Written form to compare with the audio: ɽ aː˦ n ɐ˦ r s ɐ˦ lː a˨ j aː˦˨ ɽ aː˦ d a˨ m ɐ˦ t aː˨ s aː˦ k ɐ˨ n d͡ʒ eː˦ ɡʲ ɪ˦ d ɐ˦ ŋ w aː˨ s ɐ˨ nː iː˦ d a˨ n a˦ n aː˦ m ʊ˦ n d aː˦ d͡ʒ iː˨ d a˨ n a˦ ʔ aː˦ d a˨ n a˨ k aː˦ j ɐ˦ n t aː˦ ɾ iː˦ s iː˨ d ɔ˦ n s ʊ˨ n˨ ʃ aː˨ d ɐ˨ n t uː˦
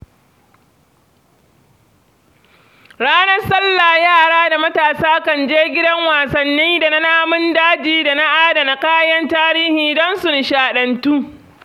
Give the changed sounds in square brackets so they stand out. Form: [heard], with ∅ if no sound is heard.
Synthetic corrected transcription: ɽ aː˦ n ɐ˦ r s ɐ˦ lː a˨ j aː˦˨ ɽ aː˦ d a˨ m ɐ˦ t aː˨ s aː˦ k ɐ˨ n d͡ʒ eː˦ ɡʲ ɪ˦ d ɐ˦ ŋ w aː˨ s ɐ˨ nː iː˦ d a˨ n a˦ n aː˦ m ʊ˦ n d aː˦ d͡ʒ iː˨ d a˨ n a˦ ʔ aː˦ d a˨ n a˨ k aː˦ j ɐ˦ n t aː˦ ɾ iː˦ [h] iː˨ d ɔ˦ n s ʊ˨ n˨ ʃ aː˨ [ɗ] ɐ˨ n t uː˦

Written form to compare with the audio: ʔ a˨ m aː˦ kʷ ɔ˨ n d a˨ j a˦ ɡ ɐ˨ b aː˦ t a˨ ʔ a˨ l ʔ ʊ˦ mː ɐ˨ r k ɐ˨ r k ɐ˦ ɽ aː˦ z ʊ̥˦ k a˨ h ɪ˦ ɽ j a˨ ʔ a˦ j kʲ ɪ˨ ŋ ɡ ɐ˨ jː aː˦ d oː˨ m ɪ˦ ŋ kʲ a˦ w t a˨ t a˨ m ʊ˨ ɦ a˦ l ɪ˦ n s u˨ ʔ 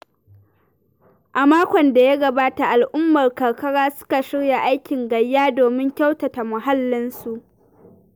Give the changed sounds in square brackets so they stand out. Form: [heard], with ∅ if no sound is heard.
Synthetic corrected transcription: ʔ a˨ m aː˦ kʷ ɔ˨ n d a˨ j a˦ ɡ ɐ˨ b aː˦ t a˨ ʔ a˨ l ʔ ʊ˦ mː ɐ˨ r k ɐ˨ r k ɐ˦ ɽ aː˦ [s] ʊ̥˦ k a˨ [ʃ] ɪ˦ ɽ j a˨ ʔ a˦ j kʲ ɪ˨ ŋ ɡ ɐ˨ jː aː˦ d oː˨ m ɪ˦ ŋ kʲ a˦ w t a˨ t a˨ m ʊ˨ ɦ a˦ [lː] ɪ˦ n s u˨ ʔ

